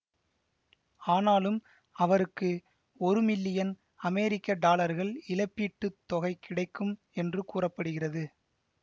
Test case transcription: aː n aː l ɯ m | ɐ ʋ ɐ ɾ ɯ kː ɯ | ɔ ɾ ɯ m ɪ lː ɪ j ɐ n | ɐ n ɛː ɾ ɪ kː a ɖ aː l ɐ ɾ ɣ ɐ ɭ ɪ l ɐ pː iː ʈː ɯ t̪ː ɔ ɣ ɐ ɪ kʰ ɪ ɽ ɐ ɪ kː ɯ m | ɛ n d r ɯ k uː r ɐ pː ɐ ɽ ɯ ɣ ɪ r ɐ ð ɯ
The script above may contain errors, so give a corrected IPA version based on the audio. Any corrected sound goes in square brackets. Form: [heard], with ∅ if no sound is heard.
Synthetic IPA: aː n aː l ɯ m | ɐ ʋ ɐ ɾ ɯ kː ɯ | ɔ ɾ ɯ m ɪ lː ɪ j ɐ n | ɐ [m] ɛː ɾ ɪ kː [ɐ] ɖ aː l ɐ ɾ ɣ ɐ ɭ ɪ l ɐ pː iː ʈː ɯ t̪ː ɔ ɣ ɐ ɪ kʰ ɪ ɽ ɐ ɪ kː ɯ m | ɛ n d r ɯ k uː r ɐ pː ɐ ɽ ɯ ɣ ɪ r ɐ ð ɯ